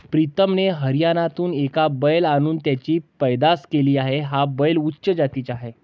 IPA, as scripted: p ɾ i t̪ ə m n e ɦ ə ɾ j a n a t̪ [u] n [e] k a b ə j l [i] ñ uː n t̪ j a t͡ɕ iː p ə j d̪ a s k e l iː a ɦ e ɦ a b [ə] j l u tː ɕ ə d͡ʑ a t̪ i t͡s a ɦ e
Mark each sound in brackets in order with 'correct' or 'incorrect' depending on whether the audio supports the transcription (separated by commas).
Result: incorrect, correct, incorrect, correct